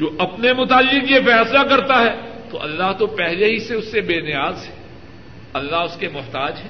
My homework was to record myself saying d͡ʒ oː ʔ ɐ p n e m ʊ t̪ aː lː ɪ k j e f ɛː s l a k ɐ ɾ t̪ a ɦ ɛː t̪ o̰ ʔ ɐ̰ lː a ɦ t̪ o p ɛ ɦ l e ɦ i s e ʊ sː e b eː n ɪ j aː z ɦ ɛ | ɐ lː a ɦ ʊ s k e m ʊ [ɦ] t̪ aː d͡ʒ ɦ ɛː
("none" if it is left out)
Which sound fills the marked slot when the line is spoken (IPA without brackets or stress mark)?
ɦ